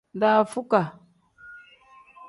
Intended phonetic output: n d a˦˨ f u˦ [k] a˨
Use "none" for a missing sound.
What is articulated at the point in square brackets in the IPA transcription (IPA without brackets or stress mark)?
k